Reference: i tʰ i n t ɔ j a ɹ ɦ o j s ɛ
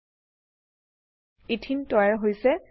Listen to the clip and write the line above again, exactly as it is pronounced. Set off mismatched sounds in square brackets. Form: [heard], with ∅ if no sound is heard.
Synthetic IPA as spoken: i tʰ i n t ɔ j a ɹ ɦ o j s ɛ